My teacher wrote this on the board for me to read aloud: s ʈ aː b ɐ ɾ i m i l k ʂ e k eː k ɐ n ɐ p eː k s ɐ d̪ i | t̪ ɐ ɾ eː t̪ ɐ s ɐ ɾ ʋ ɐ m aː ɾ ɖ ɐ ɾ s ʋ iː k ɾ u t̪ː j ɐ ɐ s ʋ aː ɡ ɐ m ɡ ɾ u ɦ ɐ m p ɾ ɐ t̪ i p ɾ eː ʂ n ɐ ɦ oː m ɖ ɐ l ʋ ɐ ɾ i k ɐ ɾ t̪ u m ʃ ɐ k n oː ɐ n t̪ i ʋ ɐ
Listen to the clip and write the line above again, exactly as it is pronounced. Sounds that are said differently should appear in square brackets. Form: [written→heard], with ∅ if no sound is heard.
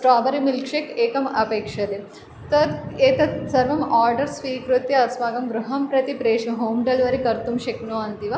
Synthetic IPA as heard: s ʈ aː b ɐ ɾ i m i l k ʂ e k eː k ɐ [n→m] ɐ p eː k [s→ʂ] ɐ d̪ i | t̪ ɐ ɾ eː t̪ ɐ s ɐ ɾ ʋ ɐ m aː ɾ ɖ ɐ ɾ s ʋ iː k ɾ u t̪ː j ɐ ɐ s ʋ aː ɡ ɐ m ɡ ɾ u ɦ ɐ m p ɾ ɐ t̪ i p ɾ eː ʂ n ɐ ɦ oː m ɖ ɐ l ʋ ɐ ɾ i k ɐ ɾ t̪ u m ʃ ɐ k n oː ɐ n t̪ i ʋ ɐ